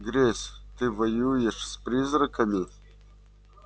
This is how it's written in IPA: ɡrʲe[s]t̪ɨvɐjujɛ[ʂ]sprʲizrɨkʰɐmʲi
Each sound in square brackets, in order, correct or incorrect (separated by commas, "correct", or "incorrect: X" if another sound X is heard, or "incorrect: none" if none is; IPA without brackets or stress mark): correct, correct